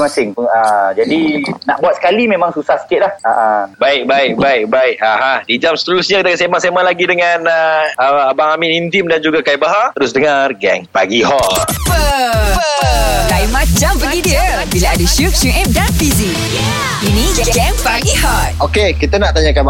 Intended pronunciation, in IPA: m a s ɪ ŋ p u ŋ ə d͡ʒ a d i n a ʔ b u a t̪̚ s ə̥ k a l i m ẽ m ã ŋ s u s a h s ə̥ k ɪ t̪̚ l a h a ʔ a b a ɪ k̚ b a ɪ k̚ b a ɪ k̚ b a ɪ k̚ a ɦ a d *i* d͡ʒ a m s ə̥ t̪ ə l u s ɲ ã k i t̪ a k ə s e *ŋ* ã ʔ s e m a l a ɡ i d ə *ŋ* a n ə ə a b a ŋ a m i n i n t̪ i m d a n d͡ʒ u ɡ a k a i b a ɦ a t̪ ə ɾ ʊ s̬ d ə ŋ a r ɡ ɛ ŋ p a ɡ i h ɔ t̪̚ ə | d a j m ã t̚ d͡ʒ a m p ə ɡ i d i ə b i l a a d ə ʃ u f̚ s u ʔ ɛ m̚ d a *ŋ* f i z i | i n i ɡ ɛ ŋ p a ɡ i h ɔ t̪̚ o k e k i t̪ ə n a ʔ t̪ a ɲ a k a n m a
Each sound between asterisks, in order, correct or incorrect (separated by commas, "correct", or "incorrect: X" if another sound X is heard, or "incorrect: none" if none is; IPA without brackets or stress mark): correct, incorrect: m, correct, incorrect: n